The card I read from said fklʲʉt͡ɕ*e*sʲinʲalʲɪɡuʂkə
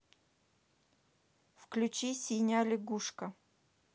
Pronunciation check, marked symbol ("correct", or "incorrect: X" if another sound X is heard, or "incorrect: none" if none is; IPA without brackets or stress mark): incorrect: i